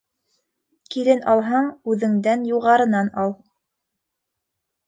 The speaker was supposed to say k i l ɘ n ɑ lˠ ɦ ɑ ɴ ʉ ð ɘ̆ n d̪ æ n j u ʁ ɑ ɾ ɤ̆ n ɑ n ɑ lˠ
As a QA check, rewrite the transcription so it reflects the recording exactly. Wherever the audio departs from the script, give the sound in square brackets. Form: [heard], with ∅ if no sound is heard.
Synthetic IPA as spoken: k i l ɘ n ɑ lˠ ɦ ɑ ɴ ʉ ð ɘ̆ [ŋ] d̪ æ n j u ʁ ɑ ɾ ɤ̆ n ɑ n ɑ lˠ

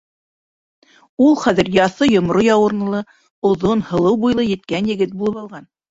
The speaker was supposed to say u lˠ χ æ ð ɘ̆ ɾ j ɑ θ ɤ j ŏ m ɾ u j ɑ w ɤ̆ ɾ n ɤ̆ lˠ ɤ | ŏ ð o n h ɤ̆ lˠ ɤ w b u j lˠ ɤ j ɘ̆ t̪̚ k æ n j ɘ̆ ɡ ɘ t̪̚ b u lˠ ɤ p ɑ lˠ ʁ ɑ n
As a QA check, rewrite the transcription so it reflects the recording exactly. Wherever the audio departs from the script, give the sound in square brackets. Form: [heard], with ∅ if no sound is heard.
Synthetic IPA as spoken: u lˠ χ æ ð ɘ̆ ɾ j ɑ θ ɤ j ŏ m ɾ [o] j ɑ w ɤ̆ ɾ n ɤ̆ lˠ ɤ | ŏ ð o n h ɤ̆ lˠ ɤ w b u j lˠ ɤ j ɘ̆ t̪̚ k æ n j ɘ̆ ɡ ɘ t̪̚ b u lˠ ɤ p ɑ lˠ ʁ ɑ n

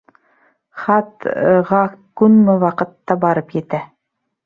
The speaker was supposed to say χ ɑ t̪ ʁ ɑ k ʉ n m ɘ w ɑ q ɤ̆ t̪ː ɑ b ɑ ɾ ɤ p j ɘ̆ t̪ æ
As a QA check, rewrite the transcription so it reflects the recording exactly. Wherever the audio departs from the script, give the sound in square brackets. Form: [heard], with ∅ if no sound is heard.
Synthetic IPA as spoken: χ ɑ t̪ ʁ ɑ k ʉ n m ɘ w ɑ q ɤ̆ t̪ː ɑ b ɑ ɾ ɤ p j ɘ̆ t̪ æ

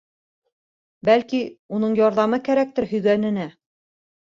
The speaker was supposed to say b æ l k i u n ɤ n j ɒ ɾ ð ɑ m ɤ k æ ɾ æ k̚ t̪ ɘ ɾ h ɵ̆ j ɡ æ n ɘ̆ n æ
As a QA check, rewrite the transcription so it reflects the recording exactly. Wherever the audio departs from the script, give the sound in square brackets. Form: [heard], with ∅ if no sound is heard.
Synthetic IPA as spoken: b æ l k i u n ɤ [ɴ] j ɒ ɾ ð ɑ m ɤ k æ ɾ æ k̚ t̪ ɘ ɾ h ɵ̆ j ɡ æ n ɘ̆ n æ

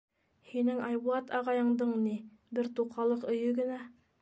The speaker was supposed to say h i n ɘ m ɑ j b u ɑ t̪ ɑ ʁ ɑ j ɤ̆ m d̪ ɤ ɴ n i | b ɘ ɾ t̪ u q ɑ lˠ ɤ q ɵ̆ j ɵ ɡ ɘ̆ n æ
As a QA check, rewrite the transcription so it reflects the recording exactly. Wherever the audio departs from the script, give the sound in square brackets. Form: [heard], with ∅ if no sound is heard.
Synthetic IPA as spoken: h i n ɘ [ŋ] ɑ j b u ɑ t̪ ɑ ʁ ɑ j ɤ̆ [ɴ] d̪ ɤ ɴ n i | b ɘ ɾ t̪ u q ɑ lˠ ɤ q ɵ̆ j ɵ ɡ ɘ̆ n æ

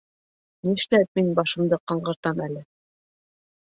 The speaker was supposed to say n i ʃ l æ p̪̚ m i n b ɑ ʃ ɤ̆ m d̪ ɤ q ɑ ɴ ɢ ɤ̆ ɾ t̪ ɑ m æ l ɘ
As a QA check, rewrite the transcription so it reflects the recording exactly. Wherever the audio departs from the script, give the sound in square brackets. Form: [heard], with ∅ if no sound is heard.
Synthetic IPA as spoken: n i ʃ l æ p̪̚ m i n b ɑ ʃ ɤ̆ m d̪ ɤ q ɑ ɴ ɢ ɤ̆ ɾ t̪ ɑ m æ l ɘ

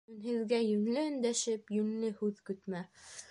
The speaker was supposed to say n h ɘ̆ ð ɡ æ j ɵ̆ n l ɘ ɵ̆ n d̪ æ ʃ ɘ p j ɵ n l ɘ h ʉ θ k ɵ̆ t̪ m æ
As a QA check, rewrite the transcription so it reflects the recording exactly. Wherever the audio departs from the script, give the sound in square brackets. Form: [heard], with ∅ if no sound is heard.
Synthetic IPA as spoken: n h ɘ̆ ð ɡ æ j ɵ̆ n l ɘ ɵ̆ n d̪ æ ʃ ɘ p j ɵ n l ɘ h ʉ [ð] k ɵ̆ t̪ m æ

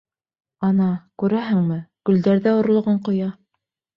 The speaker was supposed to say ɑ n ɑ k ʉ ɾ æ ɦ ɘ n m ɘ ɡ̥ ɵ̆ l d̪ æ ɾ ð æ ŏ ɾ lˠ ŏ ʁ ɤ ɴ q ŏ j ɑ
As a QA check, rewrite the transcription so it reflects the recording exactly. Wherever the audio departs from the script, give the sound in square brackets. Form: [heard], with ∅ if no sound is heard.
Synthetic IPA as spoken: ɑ n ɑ k ʉ ɾ æ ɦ ɘ [ŋ] m ɘ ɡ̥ ɵ̆ l d̪ æ ɾ ð æ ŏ ɾ lˠ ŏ ʁ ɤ ɴ q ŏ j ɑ

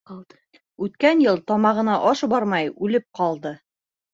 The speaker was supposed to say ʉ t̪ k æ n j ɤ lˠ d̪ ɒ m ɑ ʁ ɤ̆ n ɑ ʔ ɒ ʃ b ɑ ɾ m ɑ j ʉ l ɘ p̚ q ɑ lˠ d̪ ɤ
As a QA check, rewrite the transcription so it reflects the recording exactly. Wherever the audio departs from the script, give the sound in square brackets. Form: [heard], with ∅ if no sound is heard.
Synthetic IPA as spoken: ʉ t̪ k æ n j ɤ lˠ [t̪] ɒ m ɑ ʁ ɤ̆ n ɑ ʔ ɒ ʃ b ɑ ɾ m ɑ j ʉ l ɘ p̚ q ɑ lˠ d̪ ɤ

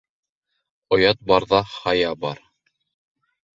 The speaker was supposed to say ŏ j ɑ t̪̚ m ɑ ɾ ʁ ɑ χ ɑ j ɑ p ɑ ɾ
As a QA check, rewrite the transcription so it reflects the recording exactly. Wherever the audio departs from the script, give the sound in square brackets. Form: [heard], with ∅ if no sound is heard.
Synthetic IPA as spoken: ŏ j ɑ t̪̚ [b] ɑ ɾ [ð] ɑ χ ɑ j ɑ [b] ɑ ɾ

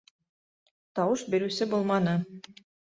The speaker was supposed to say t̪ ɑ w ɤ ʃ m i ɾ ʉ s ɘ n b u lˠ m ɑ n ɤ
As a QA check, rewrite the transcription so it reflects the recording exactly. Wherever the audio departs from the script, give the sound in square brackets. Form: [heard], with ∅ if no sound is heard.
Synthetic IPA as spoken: t̪ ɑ w ɤ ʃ [b] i ɾ ʉ s ɘ [∅] b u lˠ m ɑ n ɤ

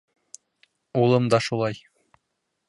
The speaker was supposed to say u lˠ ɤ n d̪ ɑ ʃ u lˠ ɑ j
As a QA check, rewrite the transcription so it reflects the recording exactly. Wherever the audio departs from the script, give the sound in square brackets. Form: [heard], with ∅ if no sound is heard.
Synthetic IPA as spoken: u lˠ ɤ [m] d̪ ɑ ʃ u lˠ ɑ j

